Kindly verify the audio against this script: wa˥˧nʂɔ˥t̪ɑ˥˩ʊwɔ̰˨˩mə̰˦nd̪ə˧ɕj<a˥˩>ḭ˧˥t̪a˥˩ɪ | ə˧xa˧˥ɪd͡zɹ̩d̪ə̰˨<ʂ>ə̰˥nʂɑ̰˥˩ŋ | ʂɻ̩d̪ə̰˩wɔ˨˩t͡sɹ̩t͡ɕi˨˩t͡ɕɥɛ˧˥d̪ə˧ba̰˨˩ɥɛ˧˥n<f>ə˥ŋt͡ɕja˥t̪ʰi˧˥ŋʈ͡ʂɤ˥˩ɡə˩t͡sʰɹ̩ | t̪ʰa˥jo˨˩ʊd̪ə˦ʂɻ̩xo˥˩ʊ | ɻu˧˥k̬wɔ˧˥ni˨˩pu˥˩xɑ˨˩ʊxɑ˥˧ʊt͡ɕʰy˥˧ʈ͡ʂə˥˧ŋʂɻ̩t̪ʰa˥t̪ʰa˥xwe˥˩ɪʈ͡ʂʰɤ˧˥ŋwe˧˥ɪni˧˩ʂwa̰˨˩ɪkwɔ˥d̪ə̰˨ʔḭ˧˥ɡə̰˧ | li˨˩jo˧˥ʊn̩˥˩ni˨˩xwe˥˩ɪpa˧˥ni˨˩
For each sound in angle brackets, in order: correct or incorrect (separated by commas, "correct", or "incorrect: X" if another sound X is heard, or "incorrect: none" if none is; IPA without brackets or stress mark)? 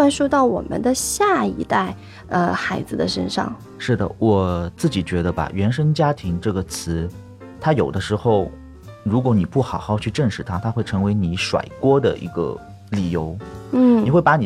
correct, correct, incorrect: ʂ